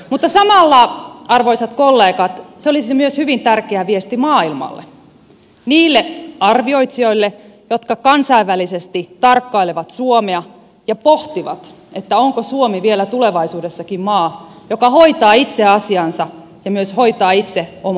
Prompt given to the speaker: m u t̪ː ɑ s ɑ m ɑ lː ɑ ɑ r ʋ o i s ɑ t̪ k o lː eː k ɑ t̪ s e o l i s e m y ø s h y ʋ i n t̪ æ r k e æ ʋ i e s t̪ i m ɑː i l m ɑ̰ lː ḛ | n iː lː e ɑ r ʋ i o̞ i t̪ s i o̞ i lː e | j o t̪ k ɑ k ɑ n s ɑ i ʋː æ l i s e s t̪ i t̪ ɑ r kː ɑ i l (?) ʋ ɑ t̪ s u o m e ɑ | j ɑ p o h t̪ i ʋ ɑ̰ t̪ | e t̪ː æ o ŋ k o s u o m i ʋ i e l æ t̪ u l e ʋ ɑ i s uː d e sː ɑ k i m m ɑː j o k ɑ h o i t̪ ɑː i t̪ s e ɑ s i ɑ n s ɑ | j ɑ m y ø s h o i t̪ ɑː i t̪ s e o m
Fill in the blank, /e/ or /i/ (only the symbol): e